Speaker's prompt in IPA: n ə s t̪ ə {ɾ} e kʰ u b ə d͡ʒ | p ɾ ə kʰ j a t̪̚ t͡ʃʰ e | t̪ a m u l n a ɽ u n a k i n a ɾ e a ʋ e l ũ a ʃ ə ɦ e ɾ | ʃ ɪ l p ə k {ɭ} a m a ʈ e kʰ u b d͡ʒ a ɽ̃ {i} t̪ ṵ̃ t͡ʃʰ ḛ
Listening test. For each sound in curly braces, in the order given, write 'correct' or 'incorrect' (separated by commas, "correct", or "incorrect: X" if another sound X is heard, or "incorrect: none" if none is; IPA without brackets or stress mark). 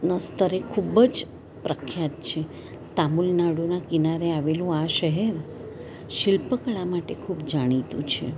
correct, correct, correct